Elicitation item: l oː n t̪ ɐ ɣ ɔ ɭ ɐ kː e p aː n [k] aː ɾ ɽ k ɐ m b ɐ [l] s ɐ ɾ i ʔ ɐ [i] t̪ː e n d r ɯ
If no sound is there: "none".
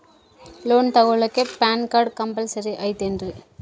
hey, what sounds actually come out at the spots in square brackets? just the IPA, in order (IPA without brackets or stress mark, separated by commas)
k, l, ɪ